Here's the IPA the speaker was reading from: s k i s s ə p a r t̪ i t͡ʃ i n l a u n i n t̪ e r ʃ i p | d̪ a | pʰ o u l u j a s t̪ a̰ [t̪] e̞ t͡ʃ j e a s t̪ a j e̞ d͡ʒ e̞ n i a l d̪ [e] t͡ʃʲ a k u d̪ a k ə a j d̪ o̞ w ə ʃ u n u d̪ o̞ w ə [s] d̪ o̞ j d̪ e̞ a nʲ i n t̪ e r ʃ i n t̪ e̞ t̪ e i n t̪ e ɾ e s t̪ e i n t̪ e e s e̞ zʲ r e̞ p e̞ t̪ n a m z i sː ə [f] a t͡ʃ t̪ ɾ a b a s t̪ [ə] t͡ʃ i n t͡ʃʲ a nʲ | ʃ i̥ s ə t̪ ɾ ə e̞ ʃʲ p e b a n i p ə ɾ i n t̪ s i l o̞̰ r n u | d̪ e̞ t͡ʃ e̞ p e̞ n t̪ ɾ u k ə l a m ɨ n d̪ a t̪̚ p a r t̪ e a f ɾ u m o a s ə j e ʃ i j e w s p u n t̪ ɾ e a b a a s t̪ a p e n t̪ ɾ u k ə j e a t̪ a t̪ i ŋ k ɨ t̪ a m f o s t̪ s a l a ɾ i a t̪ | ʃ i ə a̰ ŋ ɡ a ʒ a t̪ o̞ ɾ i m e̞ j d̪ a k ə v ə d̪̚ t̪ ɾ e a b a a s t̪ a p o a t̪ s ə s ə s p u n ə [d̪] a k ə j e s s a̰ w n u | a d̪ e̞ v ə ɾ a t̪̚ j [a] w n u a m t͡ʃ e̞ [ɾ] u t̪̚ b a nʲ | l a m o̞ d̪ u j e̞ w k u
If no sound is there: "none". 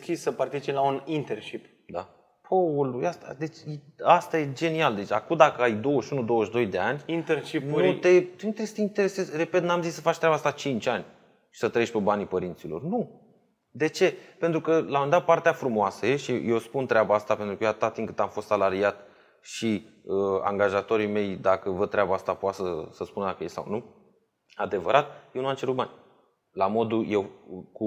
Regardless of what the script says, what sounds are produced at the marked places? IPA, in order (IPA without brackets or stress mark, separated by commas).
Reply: d̪, e, ʃ, f, a, d̪, e, ɾ